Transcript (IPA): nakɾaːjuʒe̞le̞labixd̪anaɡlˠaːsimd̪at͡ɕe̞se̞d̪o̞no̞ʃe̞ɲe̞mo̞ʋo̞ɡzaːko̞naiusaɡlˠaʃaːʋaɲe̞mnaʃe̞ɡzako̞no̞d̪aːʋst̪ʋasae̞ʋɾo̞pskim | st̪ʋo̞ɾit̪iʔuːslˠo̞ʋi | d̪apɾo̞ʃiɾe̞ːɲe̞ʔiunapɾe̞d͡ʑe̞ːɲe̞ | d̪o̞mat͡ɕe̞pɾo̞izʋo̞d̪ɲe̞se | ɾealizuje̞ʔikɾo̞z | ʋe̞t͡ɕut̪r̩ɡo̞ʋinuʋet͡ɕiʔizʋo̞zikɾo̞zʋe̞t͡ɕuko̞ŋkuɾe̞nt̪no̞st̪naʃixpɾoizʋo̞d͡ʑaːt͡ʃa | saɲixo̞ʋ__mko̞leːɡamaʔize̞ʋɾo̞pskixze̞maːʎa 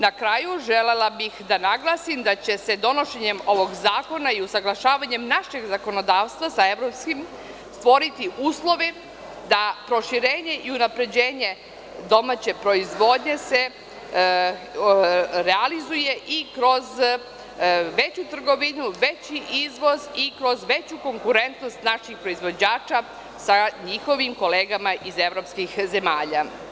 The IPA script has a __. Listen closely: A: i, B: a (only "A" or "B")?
A